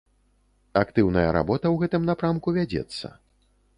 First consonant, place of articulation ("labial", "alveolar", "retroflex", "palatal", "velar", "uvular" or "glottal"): velar